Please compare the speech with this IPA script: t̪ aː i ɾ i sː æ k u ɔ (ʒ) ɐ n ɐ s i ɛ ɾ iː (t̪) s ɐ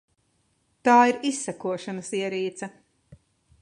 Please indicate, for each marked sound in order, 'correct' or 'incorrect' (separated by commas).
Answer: incorrect, correct